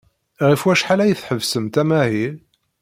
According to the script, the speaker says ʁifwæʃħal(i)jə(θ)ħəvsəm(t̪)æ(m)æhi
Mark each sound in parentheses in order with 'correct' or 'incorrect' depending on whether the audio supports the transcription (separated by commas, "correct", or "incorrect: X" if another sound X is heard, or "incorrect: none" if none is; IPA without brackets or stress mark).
incorrect: æ, correct, correct, correct